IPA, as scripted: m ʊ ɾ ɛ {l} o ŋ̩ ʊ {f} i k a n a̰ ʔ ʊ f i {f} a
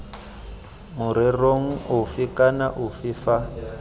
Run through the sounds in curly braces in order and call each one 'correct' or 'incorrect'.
incorrect: r, correct, correct

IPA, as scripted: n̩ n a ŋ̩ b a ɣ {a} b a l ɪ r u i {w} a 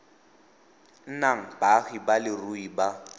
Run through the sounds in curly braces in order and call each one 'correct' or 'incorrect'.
incorrect: i, incorrect: b

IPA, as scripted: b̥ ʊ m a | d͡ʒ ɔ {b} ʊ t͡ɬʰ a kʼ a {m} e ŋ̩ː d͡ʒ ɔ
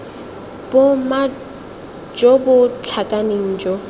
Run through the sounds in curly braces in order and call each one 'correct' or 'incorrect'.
correct, incorrect: n

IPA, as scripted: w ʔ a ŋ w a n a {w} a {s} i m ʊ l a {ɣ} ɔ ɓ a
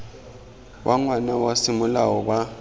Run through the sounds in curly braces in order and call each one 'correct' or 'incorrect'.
correct, correct, incorrect: w

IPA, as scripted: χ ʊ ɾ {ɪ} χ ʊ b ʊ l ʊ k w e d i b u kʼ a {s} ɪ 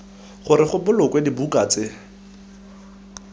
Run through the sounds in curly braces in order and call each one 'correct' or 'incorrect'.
correct, incorrect: t͡s

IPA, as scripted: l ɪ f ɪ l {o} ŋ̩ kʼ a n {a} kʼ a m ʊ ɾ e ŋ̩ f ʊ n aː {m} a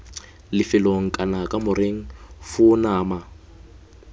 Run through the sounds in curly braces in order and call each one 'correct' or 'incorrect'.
correct, correct, correct

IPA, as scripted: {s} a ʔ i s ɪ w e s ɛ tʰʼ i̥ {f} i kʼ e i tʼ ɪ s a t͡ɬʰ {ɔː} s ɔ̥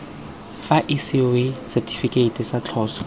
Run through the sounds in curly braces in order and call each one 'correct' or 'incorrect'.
incorrect: f, correct, correct

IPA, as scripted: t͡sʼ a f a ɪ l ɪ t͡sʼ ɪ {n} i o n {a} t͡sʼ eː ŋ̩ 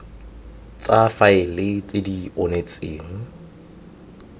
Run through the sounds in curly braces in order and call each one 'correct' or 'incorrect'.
incorrect: d, incorrect: e

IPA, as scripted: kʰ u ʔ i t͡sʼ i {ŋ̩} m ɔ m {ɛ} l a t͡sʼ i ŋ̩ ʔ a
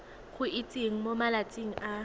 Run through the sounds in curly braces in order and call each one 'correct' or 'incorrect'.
correct, incorrect: a

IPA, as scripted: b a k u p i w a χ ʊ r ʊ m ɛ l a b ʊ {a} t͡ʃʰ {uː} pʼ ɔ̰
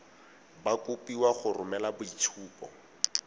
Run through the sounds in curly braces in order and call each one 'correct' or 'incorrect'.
incorrect: i, correct

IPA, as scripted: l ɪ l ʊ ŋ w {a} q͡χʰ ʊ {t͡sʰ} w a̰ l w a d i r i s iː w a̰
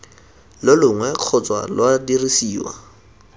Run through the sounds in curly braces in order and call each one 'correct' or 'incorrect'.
incorrect: ɛ, incorrect: t͡s

